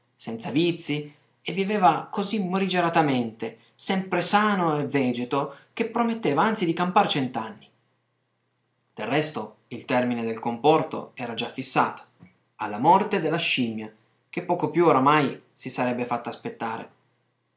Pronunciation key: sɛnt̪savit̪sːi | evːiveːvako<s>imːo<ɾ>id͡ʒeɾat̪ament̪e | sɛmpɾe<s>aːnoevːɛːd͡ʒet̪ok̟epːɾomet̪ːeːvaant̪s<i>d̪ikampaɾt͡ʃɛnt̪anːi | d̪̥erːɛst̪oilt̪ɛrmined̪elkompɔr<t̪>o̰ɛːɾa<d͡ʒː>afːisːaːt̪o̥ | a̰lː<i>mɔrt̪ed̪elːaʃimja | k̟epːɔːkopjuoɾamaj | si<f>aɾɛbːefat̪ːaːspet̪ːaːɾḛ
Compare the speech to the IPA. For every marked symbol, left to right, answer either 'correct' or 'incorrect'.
incorrect: z, correct, correct, correct, correct, incorrect: d͡ʒ, incorrect: a, incorrect: s

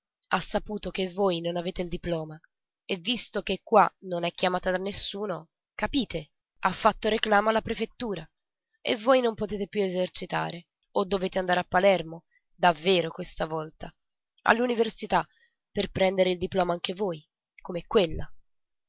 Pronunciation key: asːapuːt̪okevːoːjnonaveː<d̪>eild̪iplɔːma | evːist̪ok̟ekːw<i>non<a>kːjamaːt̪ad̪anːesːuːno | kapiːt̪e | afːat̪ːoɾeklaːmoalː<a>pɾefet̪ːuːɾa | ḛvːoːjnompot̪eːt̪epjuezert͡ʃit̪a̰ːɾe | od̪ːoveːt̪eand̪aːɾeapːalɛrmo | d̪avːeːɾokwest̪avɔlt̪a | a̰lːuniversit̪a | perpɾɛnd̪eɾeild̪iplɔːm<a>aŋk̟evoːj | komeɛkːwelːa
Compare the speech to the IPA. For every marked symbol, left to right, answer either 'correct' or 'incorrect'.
incorrect: t̪, incorrect: a, incorrect: ɛ, correct, correct

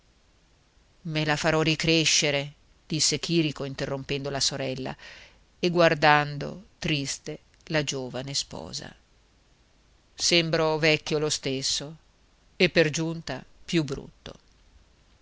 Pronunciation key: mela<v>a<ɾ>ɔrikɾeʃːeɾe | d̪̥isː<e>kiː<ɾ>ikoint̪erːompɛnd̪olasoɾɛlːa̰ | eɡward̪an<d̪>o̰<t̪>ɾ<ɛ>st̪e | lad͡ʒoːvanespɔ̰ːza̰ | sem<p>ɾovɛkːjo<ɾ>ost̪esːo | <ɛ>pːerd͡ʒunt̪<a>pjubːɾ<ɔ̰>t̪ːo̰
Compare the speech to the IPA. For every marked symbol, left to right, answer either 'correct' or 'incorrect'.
incorrect: f, correct, correct, correct, correct, correct, incorrect: i, incorrect: b, incorrect: l, incorrect: e, correct, incorrect: ṵ

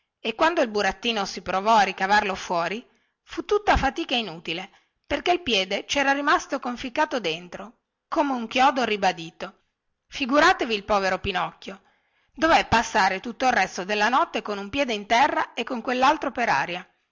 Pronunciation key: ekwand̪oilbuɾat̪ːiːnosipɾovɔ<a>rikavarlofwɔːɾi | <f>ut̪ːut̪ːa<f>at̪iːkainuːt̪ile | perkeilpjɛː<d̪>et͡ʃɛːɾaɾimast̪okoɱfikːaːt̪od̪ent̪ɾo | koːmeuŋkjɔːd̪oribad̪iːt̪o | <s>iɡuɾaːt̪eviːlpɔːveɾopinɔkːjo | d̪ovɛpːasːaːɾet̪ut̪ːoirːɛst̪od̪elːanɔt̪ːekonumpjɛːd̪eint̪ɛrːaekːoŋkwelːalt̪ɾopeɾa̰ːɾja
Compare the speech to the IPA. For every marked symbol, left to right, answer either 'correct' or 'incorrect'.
correct, correct, correct, correct, incorrect: f

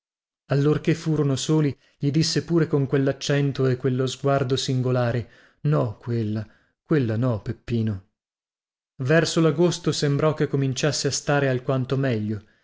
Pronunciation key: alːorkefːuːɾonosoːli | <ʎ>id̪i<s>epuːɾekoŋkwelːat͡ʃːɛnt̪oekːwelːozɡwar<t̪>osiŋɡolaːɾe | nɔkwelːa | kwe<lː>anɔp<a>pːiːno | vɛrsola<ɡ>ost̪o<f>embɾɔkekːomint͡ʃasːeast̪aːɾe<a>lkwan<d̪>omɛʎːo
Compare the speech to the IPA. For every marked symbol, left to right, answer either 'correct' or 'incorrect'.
correct, incorrect: sː, incorrect: d̪, correct, incorrect: e, correct, incorrect: s, correct, incorrect: t̪

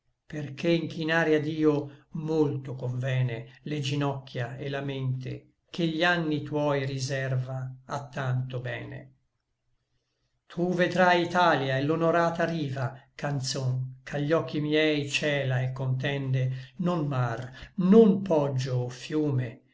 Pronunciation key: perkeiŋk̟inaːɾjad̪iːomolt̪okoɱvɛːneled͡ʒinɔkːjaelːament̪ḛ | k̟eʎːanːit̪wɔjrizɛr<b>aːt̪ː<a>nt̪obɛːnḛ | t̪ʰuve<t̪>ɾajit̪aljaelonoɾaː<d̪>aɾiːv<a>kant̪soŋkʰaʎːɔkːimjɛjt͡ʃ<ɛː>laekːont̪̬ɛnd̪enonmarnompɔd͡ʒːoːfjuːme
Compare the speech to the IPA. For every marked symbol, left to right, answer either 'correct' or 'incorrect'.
incorrect: v, correct, incorrect: d̪, incorrect: t̪, correct, correct

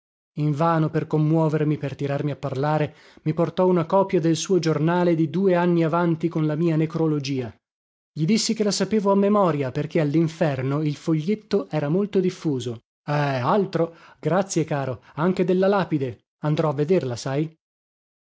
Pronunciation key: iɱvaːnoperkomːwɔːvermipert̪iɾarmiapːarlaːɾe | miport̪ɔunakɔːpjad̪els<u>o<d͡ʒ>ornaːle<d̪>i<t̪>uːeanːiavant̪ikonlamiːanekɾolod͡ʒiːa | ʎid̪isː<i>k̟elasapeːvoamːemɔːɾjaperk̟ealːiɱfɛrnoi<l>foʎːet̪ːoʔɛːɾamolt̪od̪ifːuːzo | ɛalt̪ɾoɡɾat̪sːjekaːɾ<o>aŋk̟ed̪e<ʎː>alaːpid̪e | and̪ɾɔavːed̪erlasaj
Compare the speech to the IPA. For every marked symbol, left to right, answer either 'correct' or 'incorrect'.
incorrect: uː, correct, correct, incorrect: d̪, correct, correct, correct, incorrect: lː

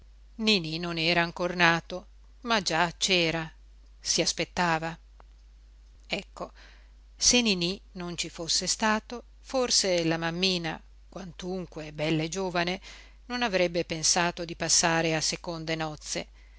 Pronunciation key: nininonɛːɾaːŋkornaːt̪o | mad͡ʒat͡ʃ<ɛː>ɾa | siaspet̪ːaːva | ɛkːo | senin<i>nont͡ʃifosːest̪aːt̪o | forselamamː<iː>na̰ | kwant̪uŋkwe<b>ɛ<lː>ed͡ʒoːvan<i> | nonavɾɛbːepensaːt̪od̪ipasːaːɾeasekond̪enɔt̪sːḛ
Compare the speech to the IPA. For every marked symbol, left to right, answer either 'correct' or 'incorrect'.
correct, correct, correct, correct, correct, incorrect: e

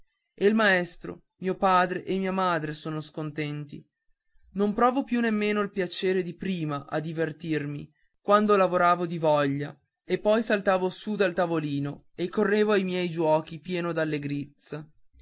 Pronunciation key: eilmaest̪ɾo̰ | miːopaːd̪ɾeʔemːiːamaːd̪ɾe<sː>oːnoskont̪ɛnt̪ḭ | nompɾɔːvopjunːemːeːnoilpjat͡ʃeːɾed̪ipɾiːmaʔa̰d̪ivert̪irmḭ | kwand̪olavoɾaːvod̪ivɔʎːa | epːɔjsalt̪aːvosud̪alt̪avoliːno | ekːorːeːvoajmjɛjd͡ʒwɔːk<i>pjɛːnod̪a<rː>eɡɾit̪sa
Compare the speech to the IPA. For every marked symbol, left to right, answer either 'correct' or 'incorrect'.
incorrect: s, correct, incorrect: lː

